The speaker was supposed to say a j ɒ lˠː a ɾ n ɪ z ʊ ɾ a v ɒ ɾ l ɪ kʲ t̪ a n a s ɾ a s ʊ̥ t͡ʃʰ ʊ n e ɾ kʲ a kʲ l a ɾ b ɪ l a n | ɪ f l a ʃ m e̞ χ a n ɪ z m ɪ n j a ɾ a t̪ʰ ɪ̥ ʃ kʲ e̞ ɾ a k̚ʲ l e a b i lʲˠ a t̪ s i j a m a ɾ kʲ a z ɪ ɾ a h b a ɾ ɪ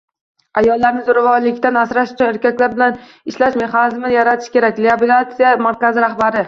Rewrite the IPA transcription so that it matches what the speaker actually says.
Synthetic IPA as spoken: a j ɒ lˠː a ɾ n ɪ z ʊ ɾ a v ɒ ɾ l ɪ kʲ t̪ a n a s ɾ a ʃ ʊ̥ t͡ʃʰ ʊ n e ɾ kʲ a kʲ l a ɾ b ɪ l a n | ɪ ʃ l a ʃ m e̞ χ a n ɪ z m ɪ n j a ɾ a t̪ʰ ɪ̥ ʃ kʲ e̞ ɾ a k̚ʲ l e a b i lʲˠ a t̪ s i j a m a ɾ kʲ a z ɪ ɾ a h b a ɾ ɪ